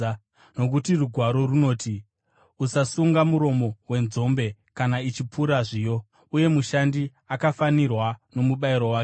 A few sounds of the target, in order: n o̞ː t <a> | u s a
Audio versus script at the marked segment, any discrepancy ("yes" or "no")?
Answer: yes